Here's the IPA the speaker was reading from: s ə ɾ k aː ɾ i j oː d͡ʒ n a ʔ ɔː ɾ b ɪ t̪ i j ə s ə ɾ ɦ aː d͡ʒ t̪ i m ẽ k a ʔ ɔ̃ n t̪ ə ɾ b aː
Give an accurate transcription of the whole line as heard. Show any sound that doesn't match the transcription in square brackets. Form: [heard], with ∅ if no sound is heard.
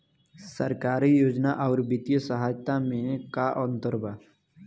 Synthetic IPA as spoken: s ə ɾ k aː ɾ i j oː d͡ʒ n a ʔ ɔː ɾ b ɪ t̪ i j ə s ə [∅] ɦ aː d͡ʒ t̪ [a] m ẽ k a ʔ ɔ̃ n t̪ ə ɾ b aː